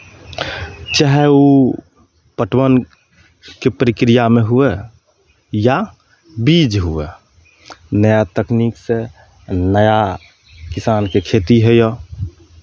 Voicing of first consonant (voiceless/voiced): voiceless